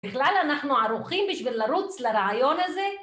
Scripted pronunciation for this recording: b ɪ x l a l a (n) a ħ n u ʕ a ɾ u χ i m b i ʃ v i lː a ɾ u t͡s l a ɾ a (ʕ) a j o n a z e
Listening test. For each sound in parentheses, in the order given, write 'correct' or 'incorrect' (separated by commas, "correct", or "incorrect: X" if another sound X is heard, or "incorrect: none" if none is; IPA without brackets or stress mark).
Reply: correct, correct